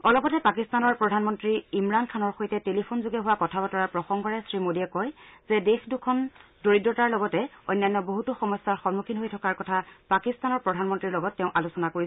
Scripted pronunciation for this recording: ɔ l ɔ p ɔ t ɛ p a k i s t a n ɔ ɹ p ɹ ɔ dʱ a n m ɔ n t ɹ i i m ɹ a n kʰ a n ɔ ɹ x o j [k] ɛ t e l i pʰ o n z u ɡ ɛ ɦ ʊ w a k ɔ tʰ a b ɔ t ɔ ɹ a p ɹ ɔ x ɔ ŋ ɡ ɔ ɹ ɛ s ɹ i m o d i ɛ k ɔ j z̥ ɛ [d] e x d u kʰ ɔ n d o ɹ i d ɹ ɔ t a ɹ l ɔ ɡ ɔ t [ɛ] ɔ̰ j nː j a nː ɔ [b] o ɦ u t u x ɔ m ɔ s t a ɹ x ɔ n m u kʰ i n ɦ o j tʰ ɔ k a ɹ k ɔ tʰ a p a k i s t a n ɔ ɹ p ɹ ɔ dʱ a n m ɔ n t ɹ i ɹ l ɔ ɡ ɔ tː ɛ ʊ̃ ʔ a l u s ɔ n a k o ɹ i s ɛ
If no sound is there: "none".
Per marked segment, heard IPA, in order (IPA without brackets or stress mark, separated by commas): t, d, ɛ, b